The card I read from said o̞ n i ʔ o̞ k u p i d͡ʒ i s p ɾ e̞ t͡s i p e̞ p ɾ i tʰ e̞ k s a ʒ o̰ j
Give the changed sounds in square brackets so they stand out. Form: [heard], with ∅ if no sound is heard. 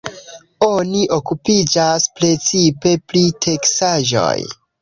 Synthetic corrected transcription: o̞ n i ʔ o̞ k u p i d͡ʒ [a] s p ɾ e̞ t͡s i p e̞ p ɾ i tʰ e̞ k s a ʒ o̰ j

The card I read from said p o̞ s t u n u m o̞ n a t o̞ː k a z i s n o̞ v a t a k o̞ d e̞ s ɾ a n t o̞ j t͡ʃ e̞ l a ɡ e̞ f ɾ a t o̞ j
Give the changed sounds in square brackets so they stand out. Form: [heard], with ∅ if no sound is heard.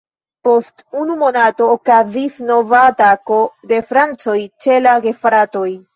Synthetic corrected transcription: p o̞ s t u n u m o̞ n a t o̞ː k a z i s n o̞ v a t a k o̞ d e̞ [f] ɾ a n [t͡s] o̞ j t͡ʃ e̞ l a ɡ e̞ f ɾ a t o̞ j

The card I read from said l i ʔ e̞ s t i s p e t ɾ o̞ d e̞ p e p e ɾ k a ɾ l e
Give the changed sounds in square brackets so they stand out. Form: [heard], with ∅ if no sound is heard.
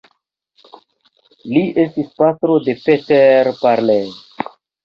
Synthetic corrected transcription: l i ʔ e̞ s t i s p [a] t ɾ o̞ d e̞ p e [t] e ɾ [p] a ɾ l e

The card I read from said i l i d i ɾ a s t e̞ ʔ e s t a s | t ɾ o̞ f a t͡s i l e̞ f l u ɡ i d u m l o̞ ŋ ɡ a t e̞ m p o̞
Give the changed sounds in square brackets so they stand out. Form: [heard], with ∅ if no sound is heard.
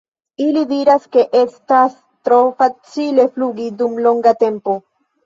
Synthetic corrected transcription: i l i d i ɾ a s [k] e̞ ʔ e s t a s | t ɾ o̞ f a t͡s i l e̞ f l u ɡ i d u m l o̞ ŋ ɡ a t e̞ m p o̞

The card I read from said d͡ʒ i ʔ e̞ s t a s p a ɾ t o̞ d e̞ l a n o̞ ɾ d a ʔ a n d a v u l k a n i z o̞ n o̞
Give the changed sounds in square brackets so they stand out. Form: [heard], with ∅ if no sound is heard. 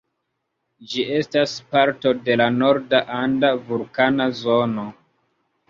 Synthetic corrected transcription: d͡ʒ i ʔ e̞ s t a s p a ɾ t o̞ d e̞ l a n o̞ ɾ d a ʔ a n d a v u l k a n [a] z o̞ n o̞

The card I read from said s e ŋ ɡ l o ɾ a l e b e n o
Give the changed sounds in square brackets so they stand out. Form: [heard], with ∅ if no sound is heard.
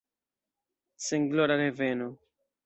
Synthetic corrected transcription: s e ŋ ɡ l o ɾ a [ɾ] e [v] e n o

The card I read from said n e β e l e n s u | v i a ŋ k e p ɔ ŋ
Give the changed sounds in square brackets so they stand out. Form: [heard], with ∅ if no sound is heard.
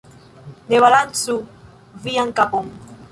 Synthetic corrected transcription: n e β [a] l [a] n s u | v i a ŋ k [a] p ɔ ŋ

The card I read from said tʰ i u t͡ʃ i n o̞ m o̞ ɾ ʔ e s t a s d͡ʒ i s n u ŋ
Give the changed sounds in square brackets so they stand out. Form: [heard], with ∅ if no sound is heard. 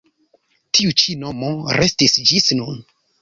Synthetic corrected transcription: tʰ i u t͡ʃ i n o̞ m o̞ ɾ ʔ e s t [i] s d͡ʒ i s n u [n]

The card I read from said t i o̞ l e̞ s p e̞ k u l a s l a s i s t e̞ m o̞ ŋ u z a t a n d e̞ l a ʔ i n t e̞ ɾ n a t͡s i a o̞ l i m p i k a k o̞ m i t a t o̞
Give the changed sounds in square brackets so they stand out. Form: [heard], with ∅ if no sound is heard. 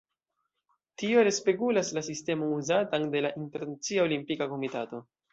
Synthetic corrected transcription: t i o̞ [ɾ] e̞ s p e̞ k u l a s l a s i s t e̞ m o̞ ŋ u z a t a n d e̞ l a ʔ i n t e̞ ɾ n a t͡s i a o̞ l i m p i k a k o̞ m i t a t o̞

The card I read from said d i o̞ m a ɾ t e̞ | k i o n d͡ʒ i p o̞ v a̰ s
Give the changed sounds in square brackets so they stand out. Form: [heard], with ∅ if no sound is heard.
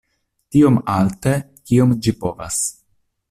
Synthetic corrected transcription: [t] i o̞ m a [l] t e̞ | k i o [m] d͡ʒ i p o̞ v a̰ s

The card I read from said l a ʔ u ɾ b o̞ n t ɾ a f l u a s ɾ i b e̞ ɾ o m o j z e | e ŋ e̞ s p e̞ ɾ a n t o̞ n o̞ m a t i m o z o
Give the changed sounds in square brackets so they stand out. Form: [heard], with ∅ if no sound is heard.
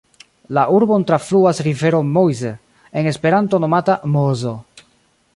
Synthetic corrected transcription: l a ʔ u ɾ b o̞ n t ɾ a f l u a s ɾ i [v] e̞ ɾ o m o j z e | e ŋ e̞ s p e̞ ɾ a n t o̞ n o̞ m a t [a] m o z o

